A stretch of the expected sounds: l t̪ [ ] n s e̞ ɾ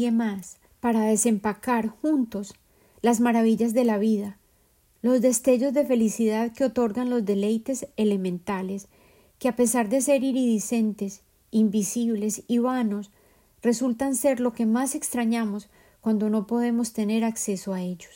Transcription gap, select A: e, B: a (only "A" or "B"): B